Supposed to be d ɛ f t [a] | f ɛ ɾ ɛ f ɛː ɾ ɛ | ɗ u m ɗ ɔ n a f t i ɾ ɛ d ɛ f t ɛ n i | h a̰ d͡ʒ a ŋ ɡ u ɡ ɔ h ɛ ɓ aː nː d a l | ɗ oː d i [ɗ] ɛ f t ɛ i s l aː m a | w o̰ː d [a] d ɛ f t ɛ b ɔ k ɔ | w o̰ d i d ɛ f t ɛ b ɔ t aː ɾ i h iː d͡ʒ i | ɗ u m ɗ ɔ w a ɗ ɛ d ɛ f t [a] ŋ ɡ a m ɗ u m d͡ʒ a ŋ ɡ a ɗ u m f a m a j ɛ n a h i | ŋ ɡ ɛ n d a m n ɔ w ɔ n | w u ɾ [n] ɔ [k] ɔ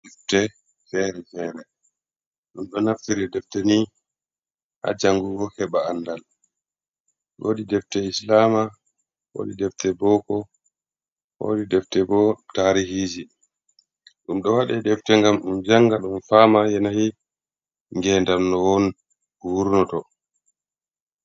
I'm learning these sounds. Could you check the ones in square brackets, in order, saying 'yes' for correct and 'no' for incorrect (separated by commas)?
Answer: no, no, no, no, yes, no